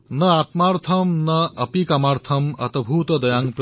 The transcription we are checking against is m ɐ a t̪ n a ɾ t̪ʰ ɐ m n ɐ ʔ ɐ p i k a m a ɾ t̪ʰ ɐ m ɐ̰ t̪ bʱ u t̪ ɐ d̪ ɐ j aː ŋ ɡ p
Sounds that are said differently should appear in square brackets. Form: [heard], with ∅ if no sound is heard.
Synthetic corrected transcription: [n] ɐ a t̪ [m] a ɾ t̪ʰ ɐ m n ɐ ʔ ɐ p i k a m a ɾ t̪ʰ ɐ m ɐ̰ t̪ bʱ u t̪ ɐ d̪ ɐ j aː ŋ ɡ p